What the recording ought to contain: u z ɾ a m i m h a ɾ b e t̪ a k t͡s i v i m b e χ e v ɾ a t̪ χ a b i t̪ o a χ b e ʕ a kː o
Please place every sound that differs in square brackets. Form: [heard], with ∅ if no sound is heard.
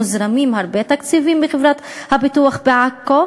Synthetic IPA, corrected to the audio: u z ɾ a m i m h a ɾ b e t̪ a k t͡s i v i m b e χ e v ɾ a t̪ [h] a b i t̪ [u] a χ b e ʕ a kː o